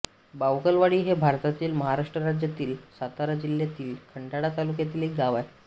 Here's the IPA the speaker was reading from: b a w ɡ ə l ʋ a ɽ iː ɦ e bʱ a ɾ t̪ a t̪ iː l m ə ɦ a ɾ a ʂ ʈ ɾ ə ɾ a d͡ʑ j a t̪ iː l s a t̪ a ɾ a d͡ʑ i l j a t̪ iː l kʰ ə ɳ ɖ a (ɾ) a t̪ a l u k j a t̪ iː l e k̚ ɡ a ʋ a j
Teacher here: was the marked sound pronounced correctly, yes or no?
no